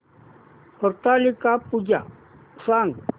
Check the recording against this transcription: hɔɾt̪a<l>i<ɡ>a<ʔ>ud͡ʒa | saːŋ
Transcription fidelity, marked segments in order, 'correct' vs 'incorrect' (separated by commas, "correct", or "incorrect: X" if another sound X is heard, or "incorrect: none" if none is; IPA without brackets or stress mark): correct, incorrect: k, incorrect: p